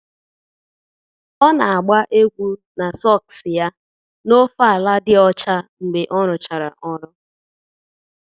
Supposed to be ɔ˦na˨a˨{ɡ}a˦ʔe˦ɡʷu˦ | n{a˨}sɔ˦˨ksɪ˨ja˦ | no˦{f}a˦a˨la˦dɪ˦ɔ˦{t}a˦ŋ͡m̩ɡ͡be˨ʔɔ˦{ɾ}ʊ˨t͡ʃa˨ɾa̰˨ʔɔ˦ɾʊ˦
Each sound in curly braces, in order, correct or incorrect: incorrect: ɡ͡b, correct, correct, incorrect: t͡ʃ, correct

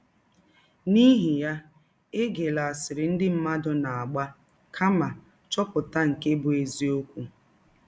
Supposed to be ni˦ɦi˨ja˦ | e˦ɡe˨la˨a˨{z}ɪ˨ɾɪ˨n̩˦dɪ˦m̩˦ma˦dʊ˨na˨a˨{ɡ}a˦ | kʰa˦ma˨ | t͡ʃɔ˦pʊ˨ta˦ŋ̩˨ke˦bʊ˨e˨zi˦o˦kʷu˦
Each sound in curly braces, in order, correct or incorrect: incorrect: s, incorrect: ɡ͡b

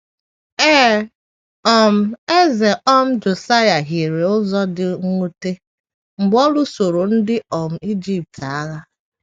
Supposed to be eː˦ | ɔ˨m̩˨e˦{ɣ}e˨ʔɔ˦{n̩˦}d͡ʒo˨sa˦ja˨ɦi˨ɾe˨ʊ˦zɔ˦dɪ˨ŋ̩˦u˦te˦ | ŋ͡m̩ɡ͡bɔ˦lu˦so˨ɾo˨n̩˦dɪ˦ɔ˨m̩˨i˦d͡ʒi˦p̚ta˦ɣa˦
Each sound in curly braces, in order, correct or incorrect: incorrect: z, incorrect: m̩˦

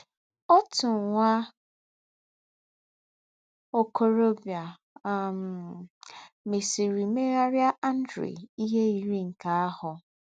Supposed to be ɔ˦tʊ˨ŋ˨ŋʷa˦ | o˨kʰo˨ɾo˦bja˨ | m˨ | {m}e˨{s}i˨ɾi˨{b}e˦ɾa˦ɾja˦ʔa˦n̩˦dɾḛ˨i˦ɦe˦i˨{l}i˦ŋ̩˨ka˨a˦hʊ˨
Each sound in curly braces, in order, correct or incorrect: correct, correct, incorrect: m, incorrect: ɾ

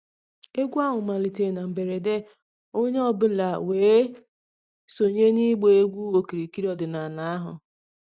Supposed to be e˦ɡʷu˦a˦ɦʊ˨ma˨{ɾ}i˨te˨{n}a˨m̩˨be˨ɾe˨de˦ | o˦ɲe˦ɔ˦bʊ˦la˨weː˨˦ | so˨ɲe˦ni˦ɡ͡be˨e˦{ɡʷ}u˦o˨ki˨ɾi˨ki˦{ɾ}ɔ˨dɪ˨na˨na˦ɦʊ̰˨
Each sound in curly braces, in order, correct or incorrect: incorrect: l, correct, correct, correct

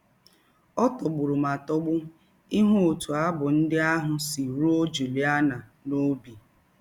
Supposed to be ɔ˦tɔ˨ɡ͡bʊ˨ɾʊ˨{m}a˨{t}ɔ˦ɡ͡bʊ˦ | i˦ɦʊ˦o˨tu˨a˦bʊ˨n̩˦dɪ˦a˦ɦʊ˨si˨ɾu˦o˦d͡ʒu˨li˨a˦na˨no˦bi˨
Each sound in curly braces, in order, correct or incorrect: correct, correct

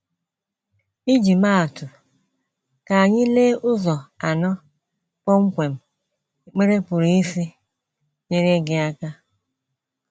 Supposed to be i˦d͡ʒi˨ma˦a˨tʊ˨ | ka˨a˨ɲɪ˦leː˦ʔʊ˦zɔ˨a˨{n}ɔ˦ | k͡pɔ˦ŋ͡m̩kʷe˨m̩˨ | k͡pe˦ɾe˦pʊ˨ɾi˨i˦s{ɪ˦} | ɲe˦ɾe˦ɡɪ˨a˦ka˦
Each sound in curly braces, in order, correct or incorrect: correct, incorrect: i˦

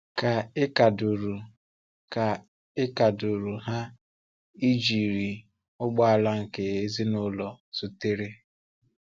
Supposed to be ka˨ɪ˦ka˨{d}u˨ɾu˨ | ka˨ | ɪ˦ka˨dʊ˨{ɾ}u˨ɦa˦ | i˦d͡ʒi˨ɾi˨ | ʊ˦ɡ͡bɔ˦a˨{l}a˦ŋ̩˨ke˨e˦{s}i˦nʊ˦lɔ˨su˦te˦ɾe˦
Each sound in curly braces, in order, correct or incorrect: correct, correct, correct, incorrect: z

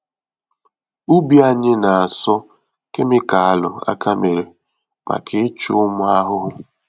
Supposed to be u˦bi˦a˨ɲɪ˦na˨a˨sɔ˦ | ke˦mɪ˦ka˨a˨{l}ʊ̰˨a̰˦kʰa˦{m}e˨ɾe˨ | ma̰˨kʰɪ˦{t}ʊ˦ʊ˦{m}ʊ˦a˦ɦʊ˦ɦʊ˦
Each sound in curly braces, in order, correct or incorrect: correct, correct, incorrect: t͡ʃ, correct

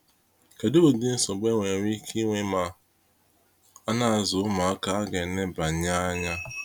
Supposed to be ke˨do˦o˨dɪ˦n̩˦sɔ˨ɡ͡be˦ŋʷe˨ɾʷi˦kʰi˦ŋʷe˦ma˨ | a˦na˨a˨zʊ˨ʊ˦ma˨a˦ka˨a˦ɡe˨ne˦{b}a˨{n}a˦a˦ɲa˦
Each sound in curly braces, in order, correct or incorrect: correct, incorrect: ɲ

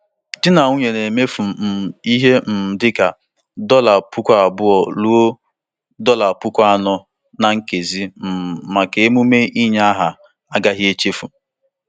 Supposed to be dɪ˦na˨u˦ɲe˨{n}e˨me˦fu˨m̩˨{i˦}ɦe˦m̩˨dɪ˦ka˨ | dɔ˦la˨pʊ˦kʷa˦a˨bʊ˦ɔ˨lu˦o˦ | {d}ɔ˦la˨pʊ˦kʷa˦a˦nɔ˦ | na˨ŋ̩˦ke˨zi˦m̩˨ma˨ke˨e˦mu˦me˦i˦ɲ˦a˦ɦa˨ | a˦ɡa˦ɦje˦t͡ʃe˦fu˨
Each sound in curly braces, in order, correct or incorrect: correct, correct, correct

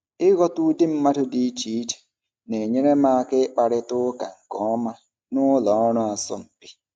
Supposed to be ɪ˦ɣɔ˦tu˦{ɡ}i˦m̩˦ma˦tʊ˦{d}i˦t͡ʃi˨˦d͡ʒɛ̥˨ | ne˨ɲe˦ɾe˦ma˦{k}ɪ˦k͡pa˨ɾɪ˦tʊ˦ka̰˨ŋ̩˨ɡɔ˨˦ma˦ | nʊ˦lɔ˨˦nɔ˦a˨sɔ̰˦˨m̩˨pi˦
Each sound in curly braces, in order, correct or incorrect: incorrect: d, correct, correct

